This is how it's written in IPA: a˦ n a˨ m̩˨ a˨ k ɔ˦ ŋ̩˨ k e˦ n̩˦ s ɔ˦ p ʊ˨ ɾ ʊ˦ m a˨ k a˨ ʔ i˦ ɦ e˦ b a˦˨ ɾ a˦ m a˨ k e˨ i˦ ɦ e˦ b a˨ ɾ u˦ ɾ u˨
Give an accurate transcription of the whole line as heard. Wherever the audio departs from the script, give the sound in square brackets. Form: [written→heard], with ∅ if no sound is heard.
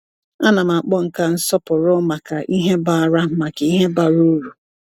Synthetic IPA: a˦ n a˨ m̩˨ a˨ [k→k͡p] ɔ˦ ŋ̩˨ k [e˦→a˦] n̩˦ s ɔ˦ p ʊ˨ ɾ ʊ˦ m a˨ k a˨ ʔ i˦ ɦ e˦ b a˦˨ ɾ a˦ m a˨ k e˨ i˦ ɦ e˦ b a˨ ɾ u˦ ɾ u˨